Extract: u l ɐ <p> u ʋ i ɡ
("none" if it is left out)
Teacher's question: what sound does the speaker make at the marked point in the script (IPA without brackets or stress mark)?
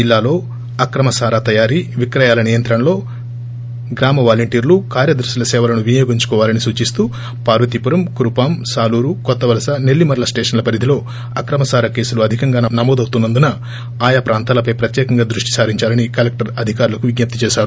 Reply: k